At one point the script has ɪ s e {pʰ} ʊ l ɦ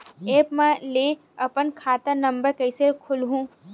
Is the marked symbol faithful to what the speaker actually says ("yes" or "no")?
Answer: no